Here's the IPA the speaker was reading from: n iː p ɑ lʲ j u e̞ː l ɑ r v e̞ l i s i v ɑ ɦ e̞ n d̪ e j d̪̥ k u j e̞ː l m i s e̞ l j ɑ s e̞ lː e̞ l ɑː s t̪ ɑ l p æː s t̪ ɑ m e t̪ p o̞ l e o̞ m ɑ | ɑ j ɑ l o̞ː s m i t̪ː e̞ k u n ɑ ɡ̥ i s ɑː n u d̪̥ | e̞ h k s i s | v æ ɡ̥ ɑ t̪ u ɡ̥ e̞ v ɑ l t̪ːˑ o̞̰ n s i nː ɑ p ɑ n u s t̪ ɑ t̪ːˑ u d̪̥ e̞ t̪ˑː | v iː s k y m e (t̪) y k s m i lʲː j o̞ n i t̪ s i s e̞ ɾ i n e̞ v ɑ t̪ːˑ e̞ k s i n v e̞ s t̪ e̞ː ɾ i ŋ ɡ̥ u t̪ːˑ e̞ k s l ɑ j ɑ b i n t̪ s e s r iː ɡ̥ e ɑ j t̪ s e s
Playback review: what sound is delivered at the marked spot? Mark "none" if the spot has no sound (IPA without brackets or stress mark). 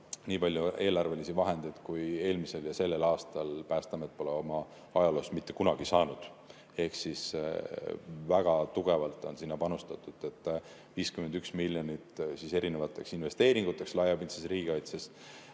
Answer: d̪